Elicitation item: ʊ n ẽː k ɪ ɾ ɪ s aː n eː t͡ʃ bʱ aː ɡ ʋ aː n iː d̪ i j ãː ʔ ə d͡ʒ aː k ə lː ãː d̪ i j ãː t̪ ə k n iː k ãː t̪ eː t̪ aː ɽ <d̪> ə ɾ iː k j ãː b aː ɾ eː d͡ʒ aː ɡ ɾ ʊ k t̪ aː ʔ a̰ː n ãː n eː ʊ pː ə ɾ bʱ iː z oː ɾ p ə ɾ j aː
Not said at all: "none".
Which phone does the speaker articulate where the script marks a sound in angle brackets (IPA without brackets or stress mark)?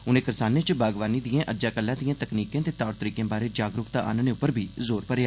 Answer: t̪